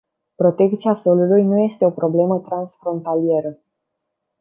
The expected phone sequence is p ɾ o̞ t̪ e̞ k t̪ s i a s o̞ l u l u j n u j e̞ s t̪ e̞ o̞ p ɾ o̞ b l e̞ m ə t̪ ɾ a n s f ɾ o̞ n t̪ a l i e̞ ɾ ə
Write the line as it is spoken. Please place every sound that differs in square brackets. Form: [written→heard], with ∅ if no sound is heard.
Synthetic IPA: p ɾ o̞ t̪ e̞ k t̪ s i a s o̞ l u l u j n u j e̞ s t̪ e̞ o̞ p ɾ o̞ b l e̞ m ə t̪ ɾ a n s f ɾ o̞ n t̪ a l i e̞ ɾ ə